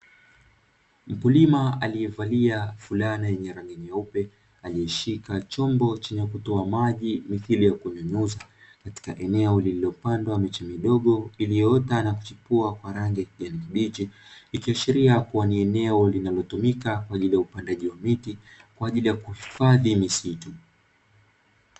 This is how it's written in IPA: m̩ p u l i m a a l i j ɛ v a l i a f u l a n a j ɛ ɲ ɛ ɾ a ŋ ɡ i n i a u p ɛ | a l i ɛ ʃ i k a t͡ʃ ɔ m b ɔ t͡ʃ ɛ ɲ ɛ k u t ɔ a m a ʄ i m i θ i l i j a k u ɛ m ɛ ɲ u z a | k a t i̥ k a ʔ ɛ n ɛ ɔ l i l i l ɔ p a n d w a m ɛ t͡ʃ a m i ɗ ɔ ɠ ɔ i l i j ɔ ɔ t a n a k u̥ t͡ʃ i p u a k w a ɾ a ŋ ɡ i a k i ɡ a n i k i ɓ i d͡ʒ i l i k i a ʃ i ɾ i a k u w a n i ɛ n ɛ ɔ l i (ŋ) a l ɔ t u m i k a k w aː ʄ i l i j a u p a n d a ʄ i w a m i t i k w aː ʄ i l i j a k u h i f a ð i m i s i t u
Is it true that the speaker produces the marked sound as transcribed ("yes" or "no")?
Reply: no